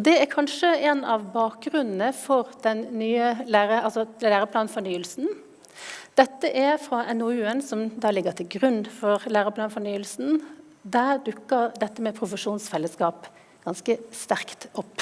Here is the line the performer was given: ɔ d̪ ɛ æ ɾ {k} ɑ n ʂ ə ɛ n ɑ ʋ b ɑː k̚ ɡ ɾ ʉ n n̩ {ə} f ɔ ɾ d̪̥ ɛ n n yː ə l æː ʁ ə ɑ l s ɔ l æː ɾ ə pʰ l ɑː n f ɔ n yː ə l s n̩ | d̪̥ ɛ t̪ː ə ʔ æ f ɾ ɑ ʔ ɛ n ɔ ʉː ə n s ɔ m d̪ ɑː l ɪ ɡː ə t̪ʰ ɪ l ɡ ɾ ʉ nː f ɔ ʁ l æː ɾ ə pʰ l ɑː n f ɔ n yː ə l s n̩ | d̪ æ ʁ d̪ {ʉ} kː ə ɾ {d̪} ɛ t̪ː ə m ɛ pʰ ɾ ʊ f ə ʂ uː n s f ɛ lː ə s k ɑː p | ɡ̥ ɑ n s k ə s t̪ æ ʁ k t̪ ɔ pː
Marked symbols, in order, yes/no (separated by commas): no, yes, yes, yes